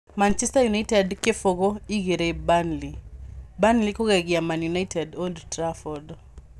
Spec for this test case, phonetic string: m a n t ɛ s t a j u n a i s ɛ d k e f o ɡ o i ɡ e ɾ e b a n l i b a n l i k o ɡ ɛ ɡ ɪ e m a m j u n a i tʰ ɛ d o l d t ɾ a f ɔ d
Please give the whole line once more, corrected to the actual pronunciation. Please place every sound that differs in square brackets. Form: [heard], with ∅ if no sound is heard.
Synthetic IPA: m a n [t͡ʃ] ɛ s t a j u n a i [t] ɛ d k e f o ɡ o i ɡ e ɾ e b a n l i b a n l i k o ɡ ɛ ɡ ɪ [a] m a [n] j u n a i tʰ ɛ d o l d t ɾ a f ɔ d